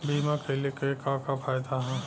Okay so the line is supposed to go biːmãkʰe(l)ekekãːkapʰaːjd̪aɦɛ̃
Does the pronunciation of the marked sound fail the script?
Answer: no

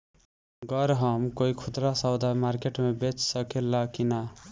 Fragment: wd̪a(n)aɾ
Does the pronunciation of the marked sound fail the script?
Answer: yes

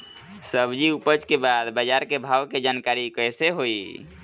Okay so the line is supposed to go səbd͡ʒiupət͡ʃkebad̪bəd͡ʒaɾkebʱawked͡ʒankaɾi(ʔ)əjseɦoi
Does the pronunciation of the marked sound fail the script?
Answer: yes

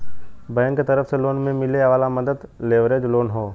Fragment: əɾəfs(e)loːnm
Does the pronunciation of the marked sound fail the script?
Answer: no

